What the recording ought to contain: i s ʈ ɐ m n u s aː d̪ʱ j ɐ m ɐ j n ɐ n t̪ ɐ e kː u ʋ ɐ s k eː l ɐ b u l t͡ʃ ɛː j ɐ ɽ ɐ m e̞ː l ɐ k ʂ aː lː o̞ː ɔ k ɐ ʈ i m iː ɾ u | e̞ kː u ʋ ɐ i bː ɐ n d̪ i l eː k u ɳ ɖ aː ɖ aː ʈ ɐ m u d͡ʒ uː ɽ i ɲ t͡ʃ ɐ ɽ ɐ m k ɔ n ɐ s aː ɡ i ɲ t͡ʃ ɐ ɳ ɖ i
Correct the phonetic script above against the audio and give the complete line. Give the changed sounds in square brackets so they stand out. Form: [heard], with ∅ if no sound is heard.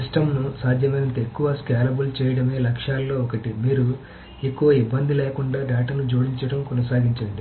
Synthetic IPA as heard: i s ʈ ɐ m n u s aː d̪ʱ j ɐ m ɐ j n ɐ n t̪ ɐ e kː u ʋ ɐ s k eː l ɐ b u l t͡ʃ ɛː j ɐ ɽ ɐ m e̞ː l ɐ k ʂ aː lː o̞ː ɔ k ɐ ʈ i m iː ɾ u | e̞ kː u ʋ ɐ i bː ɐ n d̪ i l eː k u ɳ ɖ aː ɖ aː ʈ ɐ [n] u d͡ʒ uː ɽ i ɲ t͡ʃ ɐ ɽ ɐ m k ɔ n ɐ s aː ɡ i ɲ t͡ʃ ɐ ɳ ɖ i